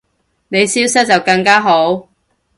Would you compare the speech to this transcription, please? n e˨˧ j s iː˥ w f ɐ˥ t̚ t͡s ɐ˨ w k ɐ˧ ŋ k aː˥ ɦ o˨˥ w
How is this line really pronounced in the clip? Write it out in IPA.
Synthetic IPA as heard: n e˨˧ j s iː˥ w s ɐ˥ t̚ t͡s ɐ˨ w k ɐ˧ ŋ k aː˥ ɦ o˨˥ w